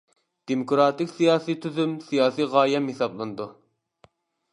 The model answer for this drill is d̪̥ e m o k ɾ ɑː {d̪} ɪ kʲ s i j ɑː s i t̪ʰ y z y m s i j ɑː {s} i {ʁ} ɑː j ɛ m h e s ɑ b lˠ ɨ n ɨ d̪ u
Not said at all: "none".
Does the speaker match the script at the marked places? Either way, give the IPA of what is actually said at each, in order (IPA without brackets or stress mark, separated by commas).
t̪, s, ʁ